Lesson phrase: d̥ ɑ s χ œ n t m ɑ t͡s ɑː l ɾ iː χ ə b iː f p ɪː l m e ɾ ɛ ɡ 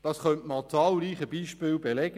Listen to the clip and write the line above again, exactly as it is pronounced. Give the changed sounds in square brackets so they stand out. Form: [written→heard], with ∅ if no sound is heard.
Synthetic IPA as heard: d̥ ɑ s χ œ n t m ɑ t͡s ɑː l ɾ iː χ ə b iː [f→ʃ] p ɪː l [m→b] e [ɾ→l] ɛ ɡ